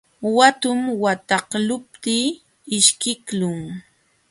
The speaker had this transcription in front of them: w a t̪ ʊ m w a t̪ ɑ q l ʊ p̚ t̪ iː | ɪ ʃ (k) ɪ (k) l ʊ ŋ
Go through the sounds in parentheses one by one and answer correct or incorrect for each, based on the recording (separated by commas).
correct, correct